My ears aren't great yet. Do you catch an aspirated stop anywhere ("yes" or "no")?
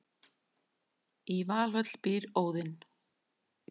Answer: no